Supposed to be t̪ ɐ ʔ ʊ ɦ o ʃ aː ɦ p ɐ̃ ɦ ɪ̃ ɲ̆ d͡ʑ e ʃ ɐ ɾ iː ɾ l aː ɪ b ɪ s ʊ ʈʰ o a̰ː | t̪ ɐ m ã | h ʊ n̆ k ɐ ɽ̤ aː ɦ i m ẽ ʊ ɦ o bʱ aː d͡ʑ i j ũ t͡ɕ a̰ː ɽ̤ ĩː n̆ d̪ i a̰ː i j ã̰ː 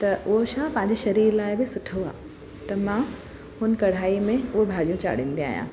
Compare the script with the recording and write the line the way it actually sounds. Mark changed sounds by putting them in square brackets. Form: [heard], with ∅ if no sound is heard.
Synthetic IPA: t̪ ɐ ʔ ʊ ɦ o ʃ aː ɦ p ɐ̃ ɦ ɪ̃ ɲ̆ d͡ʑ e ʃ ɐ ɾ iː ɾ l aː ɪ b ɪ s ʊ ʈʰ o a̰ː | t̪ ɐ m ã | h ʊ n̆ k ɐ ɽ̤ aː [∅] i m ẽ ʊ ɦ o bʱ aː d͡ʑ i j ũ t͡ɕ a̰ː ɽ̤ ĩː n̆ d̪ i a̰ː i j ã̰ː